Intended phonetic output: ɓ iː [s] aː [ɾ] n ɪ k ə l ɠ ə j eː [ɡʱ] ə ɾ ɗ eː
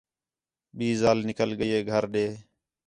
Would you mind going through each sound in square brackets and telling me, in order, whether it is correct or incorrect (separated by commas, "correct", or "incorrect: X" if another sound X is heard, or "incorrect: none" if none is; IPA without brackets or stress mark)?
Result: incorrect: z, incorrect: l, correct